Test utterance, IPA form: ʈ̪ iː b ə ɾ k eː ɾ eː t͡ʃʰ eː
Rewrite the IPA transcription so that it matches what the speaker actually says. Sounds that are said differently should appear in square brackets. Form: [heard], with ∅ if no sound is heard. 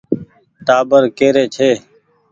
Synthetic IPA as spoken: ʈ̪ [aː] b ə ɾ k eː ɾ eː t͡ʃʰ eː